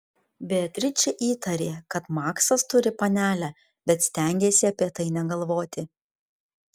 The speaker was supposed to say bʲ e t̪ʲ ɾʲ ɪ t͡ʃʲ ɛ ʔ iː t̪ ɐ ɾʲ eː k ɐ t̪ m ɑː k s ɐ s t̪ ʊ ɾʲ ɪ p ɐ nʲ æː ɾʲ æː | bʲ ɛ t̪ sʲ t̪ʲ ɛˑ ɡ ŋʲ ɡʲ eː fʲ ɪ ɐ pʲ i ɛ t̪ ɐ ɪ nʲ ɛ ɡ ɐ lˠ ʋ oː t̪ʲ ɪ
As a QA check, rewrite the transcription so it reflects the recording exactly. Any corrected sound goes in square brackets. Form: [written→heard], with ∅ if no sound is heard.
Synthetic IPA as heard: bʲ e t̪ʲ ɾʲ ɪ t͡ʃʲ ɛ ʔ iː t̪ ɐ ɾʲ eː k ɐ t̪ m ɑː k s ɐ s t̪ ʊ ɾʲ ɪ p ɐ nʲ æː [ɾʲ→lʲ] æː | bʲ ɛ t̪ sʲ t̪ʲ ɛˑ [ɡ→∅] ŋʲ ɡʲ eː [fʲ→sʲ] ɪ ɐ pʲ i ɛ t̪ ɐ ɪ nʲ ɛ ɡ ɐ lˠ ʋ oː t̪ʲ ɪ